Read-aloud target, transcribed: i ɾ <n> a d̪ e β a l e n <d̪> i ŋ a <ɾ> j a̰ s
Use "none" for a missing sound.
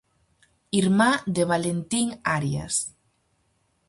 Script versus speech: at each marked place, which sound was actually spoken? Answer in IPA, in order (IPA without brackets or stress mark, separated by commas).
m, t̪, ɾ